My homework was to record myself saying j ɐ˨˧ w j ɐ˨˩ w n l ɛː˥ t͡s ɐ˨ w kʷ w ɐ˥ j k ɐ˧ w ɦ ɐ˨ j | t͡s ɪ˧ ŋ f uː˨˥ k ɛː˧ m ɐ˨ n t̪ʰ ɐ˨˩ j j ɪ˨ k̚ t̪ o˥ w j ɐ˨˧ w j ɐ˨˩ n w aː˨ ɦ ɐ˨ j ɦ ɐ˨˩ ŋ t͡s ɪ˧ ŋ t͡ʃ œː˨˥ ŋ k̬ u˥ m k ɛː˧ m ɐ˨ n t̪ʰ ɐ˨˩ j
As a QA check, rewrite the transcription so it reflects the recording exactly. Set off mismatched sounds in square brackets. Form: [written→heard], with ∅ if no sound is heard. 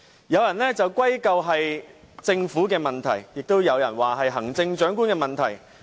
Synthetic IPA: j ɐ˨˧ w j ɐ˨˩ [w→∅] n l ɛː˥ t͡s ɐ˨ w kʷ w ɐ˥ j k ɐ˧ w ɦ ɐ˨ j | t͡s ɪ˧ ŋ f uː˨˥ k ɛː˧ m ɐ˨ n t̪ʰ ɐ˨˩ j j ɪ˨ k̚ t̪ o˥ w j ɐ˨˧ w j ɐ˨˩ n w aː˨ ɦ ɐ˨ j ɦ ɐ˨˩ ŋ t͡s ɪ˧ ŋ t͡ʃ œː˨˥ ŋ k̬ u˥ [m→n] k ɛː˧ m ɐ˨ n t̪ʰ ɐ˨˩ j